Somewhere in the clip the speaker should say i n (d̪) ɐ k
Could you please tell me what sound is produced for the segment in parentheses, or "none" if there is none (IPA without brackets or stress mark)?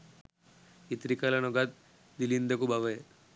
d̪